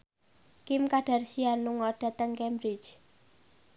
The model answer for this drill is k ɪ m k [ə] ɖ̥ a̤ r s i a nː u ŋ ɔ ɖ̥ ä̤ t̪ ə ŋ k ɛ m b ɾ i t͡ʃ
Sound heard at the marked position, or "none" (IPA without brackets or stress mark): a